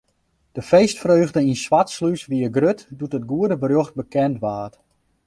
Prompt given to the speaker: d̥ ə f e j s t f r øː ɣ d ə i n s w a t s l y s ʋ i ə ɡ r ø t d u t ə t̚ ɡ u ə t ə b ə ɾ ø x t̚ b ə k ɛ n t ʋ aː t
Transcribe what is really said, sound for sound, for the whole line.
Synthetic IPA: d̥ ə f e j s t f r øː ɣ d ə i n s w a t s l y s ʋ i ə ɡ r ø t d u t ə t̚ ɡ u ə d ə b ə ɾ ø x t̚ b ə k ɛ n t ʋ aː t